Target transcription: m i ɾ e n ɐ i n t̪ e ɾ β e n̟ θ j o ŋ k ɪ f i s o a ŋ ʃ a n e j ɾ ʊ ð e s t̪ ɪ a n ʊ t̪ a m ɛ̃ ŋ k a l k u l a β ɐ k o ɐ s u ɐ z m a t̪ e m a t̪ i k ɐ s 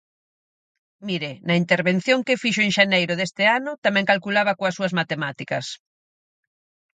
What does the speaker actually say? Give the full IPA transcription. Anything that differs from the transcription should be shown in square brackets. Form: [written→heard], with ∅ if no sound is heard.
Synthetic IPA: m i ɾ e n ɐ i n t̪ e ɾ β e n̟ θ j o ŋ k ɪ f i [s→ʃ] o [a→e] ŋ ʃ a n e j ɾ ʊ ð e s t̪ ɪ a n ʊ t̪ a m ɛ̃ ŋ k a l k u l a β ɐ k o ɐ s u ɐ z m a t̪ e m a t̪ i k ɐ s